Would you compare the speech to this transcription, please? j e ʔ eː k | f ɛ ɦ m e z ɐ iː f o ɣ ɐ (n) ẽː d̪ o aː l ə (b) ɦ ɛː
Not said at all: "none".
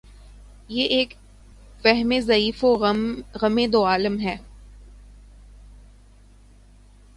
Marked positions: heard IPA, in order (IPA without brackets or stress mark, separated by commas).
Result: m, m